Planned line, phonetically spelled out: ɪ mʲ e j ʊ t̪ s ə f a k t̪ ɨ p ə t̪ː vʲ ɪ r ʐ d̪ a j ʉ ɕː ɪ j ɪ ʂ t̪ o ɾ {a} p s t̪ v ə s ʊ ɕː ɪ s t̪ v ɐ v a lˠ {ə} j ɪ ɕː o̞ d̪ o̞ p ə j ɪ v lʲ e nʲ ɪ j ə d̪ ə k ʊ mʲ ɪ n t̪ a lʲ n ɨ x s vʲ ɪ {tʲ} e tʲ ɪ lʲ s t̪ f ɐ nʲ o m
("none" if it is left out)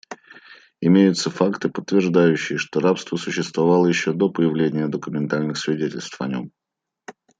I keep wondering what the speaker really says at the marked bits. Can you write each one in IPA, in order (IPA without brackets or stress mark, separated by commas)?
a, ə, dʲ